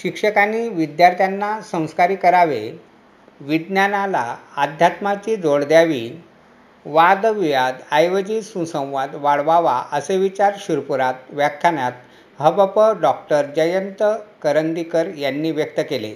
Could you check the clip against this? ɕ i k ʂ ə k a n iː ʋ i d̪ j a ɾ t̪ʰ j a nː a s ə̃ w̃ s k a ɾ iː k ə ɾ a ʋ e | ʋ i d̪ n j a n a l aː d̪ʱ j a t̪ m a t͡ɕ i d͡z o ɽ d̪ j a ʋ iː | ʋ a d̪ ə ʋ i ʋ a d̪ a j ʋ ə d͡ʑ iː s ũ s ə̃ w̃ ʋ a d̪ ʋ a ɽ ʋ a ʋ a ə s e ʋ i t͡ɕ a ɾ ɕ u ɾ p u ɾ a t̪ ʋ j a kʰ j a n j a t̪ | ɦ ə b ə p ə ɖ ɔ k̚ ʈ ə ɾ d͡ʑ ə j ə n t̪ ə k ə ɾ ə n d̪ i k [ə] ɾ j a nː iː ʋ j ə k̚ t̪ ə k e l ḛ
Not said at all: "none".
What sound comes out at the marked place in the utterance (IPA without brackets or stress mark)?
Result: ə